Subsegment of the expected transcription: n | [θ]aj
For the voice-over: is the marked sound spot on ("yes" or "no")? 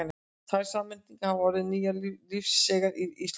yes